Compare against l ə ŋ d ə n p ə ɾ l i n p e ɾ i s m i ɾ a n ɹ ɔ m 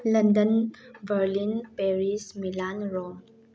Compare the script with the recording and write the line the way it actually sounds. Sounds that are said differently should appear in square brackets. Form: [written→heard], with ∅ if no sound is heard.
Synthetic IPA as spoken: l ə [ŋ→n] d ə n [p→b] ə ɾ l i n p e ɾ i s m i [ɾ→l] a n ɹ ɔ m